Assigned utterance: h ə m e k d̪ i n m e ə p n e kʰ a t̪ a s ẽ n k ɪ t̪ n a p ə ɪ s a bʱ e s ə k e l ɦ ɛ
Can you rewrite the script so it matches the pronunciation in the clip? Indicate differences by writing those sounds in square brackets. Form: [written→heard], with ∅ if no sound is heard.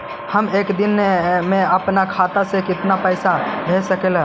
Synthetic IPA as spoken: h ə m e k d̪ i n m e ə p n [e→a] kʰ a t̪ a s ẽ [n→∅] k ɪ t̪ n a p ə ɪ s a bʱ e s ə k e l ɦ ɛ